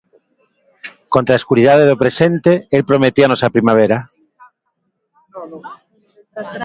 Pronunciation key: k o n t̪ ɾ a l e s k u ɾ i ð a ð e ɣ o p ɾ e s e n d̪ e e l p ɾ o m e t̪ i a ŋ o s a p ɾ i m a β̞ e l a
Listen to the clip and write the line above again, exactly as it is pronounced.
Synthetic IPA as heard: k o n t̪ ɾ a e s k u ɾ i ð a ð e ð o p ɾ e s e n t̪ e e l p ɾ o m e t̪ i a n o s a p ɾ i m a β̞ e ɾ a